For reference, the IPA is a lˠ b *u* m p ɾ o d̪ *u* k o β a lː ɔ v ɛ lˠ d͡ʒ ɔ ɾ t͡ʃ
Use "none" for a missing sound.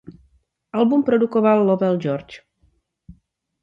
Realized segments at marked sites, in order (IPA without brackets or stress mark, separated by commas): u, u